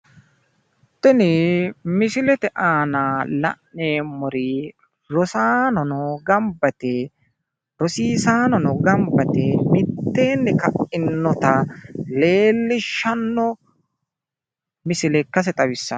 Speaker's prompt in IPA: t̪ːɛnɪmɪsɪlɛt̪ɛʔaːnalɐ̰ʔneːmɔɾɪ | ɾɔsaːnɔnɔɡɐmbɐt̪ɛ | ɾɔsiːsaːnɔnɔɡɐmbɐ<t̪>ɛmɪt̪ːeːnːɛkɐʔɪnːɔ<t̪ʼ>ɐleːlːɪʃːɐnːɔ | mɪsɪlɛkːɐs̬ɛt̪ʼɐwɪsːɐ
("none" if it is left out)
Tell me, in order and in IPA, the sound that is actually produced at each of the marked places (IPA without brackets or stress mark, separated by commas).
t̪, t̪